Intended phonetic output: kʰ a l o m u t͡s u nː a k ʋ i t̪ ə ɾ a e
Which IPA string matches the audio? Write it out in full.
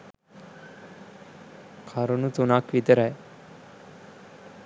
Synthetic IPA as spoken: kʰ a ɾ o n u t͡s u n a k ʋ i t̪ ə ɾ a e